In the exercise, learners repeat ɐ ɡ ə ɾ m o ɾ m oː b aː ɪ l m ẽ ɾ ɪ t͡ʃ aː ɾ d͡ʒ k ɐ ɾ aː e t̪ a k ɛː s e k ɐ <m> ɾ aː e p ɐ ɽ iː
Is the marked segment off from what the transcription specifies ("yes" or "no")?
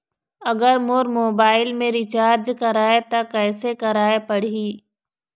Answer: yes